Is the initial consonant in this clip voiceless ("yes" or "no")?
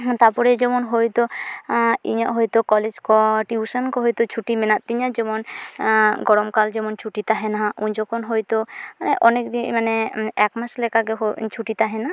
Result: yes